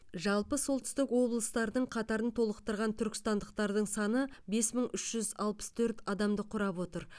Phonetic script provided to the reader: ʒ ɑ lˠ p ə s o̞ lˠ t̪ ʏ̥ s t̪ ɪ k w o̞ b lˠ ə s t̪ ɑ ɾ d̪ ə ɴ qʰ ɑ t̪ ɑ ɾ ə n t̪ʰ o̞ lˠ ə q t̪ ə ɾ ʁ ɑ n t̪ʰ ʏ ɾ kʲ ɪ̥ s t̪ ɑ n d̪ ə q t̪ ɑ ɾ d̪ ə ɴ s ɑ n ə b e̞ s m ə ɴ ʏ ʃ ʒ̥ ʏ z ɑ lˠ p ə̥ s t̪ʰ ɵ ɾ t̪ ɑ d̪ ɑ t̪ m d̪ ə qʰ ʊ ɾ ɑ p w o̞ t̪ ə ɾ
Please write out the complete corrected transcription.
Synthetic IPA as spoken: ʒ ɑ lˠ p ə s o̞ lˠ t̪ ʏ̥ s t̪ ɪ k w o̞ b lˠ ə s t̪ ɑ ɾ d̪ ə ɴ qʰ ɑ t̪ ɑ ɾ ə n t̪ʰ o̞ lˠ ə q t̪ ə ɾ ʁ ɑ n t̪ʰ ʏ ɾ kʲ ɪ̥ s t̪ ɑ n d̪ ə q t̪ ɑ ɾ d̪ ə ɴ s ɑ n ə b e̞ s m ə ɴ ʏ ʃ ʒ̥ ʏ z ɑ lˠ p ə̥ s t̪ʰ ɵ ɾ t̪ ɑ d̪ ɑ m d̪ ə qʰ ʊ ɾ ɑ p w o̞ t̪ ə ɾ